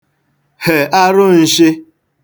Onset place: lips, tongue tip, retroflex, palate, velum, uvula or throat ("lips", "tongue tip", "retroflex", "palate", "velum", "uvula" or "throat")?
throat